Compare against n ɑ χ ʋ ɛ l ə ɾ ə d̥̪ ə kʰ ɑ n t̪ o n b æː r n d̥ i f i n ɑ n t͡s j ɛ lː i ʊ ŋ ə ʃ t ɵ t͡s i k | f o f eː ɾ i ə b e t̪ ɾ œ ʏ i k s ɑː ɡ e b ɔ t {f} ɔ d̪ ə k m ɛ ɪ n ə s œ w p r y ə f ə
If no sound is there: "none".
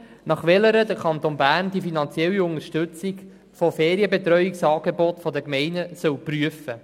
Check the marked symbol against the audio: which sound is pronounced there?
f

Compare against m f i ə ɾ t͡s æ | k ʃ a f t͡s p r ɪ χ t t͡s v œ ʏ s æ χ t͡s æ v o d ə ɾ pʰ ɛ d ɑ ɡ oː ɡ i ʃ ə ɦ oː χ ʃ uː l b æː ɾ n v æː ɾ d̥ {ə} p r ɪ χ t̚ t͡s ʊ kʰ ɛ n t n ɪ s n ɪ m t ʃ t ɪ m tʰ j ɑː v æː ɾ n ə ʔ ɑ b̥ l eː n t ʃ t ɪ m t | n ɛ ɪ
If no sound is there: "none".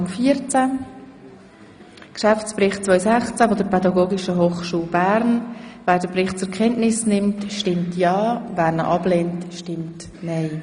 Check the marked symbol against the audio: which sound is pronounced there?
ə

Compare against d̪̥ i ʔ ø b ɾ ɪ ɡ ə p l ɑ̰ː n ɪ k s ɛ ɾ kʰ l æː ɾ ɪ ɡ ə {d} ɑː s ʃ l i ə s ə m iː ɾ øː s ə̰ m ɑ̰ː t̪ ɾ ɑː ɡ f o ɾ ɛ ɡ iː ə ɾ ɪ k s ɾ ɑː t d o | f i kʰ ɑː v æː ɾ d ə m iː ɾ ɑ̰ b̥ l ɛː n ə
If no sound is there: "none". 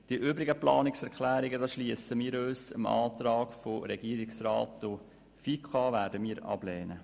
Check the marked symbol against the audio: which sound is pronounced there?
d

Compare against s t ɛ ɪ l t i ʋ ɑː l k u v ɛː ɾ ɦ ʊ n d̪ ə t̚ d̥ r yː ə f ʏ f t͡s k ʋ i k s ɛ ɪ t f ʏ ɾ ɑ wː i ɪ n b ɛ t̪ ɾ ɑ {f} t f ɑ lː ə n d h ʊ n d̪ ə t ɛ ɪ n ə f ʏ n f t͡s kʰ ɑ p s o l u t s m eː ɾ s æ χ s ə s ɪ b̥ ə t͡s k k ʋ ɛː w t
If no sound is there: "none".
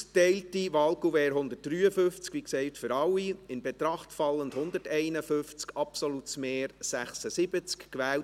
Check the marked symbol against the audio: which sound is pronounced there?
χ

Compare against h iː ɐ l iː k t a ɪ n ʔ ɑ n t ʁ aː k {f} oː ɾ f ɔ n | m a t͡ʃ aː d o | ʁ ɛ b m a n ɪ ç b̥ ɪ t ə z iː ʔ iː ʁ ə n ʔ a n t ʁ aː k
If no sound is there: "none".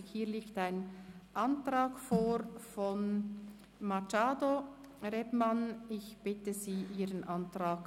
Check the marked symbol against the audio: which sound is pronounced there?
f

